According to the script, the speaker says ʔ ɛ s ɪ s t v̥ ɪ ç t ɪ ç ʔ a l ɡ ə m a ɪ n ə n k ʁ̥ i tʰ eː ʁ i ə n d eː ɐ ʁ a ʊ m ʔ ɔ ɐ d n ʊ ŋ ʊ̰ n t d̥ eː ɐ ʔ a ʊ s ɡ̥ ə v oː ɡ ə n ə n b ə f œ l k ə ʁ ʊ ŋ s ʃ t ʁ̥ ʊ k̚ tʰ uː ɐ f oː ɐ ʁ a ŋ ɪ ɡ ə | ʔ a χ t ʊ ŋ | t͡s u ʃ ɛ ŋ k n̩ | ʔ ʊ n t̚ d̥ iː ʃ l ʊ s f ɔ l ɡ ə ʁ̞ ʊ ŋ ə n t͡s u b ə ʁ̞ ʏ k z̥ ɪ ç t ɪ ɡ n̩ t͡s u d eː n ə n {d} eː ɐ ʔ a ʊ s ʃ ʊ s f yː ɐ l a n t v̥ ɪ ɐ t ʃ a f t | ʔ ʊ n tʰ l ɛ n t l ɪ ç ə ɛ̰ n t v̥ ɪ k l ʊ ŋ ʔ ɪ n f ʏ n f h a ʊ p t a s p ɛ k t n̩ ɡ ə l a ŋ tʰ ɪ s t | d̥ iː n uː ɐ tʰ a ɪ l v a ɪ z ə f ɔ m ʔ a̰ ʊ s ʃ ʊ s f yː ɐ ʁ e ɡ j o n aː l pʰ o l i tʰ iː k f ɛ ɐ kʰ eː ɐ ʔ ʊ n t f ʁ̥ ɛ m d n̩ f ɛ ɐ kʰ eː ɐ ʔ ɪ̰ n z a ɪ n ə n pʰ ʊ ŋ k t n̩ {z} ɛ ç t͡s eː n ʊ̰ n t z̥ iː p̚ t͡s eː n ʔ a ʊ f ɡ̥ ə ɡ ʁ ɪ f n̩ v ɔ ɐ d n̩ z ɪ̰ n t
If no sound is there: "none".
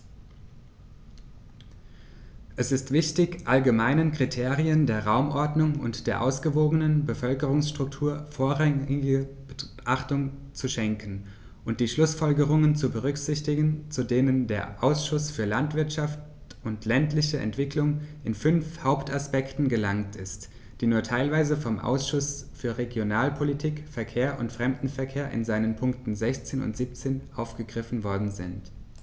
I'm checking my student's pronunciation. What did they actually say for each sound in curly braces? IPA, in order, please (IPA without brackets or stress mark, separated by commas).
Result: d, z